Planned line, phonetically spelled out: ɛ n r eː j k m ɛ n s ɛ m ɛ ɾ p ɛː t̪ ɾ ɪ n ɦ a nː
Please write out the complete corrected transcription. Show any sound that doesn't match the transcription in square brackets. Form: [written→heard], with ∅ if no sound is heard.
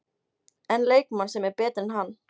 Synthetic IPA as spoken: ɛ n [r→l] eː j k m [ɛ→a] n s ɛ m ɛ ɾ p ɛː t̪ ɾ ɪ n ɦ a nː